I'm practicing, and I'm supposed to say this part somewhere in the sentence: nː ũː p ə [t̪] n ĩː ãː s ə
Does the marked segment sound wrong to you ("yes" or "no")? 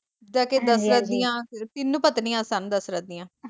no